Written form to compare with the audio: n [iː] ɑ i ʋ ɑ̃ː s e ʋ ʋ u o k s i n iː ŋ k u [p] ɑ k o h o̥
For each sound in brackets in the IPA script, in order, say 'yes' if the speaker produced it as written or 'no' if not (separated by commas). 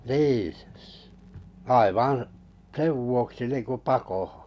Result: yes, yes